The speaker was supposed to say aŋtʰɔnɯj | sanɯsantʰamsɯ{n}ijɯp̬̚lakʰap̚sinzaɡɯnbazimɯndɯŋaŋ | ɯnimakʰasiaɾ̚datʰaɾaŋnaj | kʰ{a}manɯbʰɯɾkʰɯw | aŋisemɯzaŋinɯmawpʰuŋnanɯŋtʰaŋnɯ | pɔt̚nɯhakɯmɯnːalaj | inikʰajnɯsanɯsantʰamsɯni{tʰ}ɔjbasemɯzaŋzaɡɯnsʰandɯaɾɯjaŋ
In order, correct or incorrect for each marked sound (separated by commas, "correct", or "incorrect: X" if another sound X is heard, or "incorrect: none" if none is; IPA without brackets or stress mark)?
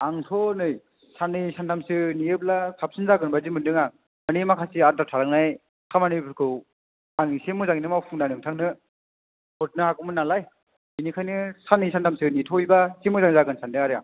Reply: correct, correct, correct